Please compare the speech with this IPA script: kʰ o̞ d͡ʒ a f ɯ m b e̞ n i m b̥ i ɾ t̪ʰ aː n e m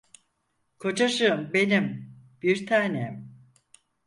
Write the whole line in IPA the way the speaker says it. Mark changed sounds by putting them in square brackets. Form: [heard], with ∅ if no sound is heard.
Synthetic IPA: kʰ o̞ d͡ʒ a [ʃ] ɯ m b e̞ n i m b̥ i ɾ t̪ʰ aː n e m